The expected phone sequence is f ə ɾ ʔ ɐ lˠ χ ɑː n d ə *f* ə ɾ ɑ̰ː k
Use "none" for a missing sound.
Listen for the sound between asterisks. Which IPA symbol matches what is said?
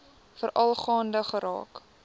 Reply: χ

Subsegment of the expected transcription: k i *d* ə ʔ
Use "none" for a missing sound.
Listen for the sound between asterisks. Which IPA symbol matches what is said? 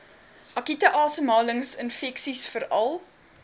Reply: t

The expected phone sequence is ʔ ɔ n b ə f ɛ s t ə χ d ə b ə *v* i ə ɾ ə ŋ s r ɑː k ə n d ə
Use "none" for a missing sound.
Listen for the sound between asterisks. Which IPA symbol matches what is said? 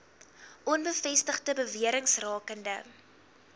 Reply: v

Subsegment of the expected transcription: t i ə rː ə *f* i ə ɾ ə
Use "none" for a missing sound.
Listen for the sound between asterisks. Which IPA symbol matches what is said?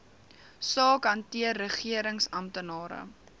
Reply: χ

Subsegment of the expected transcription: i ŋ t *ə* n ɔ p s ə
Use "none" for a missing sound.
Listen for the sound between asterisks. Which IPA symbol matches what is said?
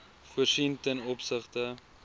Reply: ə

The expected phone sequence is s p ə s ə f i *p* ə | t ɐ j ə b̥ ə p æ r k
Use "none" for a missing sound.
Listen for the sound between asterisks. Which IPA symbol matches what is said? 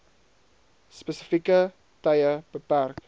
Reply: k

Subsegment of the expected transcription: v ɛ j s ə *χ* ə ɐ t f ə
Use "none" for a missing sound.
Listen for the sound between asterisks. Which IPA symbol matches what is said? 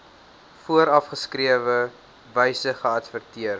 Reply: χ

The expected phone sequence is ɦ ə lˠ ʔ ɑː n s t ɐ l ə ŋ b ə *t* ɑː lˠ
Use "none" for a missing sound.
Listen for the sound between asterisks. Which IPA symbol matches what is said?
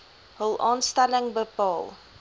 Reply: p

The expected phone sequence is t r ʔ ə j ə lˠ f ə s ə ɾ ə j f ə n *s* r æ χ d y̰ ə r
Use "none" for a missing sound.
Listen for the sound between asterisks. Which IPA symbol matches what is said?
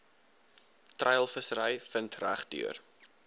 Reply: t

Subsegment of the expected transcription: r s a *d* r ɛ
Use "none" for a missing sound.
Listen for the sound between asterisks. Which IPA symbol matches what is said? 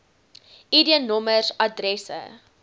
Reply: d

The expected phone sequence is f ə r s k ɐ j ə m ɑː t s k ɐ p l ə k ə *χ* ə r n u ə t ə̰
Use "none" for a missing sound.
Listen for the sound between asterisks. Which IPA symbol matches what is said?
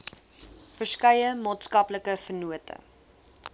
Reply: f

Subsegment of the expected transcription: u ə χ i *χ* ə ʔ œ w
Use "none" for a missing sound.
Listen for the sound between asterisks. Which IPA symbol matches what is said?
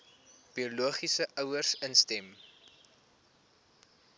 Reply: s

